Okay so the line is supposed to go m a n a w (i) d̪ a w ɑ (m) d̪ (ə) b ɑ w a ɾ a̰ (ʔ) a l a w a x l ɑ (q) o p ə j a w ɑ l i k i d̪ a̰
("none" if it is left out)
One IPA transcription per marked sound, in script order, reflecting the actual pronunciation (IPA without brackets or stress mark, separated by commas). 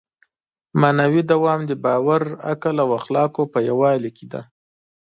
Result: i, m, ə, k, k